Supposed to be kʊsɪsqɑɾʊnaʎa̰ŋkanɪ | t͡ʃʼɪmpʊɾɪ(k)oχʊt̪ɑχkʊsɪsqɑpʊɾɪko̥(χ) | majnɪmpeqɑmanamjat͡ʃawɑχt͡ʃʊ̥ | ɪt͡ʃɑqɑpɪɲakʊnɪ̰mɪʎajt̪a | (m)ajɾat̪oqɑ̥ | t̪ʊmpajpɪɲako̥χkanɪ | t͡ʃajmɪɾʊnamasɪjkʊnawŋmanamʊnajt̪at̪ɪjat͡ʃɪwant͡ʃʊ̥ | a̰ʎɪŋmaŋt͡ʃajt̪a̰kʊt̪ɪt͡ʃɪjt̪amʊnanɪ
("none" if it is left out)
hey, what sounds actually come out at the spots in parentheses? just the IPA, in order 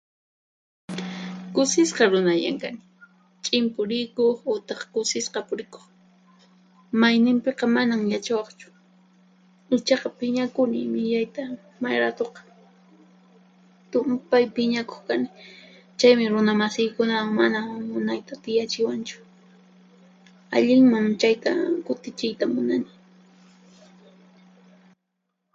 k, χ, m

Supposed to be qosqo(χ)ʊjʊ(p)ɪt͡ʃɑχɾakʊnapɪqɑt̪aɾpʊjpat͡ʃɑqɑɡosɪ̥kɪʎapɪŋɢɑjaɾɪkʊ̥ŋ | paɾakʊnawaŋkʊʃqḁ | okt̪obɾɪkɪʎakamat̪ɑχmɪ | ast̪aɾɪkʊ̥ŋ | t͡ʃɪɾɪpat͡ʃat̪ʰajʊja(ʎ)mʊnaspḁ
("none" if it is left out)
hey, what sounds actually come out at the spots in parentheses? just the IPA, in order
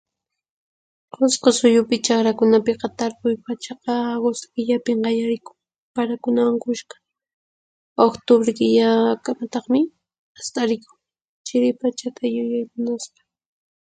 s, p, j

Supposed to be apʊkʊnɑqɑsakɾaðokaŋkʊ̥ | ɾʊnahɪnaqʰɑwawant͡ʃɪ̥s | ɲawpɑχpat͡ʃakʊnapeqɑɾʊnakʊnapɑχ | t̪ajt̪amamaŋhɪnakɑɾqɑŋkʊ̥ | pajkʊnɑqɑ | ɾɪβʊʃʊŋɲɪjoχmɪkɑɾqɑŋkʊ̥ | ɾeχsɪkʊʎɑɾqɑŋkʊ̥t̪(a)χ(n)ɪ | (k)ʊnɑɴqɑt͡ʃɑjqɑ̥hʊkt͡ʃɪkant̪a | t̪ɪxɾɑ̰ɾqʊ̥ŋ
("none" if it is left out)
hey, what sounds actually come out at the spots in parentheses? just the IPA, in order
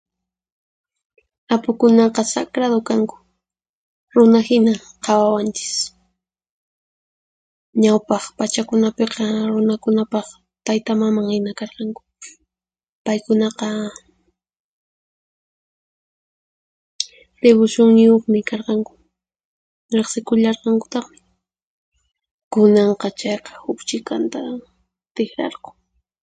ɑ, m, k

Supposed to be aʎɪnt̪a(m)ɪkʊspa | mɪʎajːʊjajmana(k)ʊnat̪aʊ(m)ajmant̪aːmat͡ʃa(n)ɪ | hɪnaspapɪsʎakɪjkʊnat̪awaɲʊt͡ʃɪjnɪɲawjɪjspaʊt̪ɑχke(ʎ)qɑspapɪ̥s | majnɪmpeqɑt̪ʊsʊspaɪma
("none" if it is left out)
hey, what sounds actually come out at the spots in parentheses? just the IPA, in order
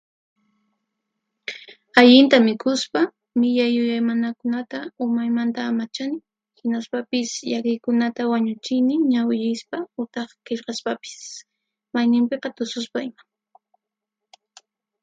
m, k, m, n, ʎ

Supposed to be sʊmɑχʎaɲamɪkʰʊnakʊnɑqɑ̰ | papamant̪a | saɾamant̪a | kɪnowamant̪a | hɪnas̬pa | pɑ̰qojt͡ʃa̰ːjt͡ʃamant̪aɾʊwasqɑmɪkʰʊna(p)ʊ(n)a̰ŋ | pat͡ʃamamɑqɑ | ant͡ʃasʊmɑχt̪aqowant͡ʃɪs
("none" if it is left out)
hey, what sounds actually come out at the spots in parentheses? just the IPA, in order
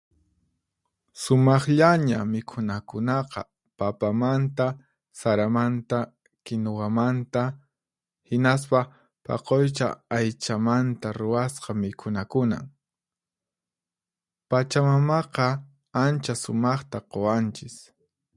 k, n

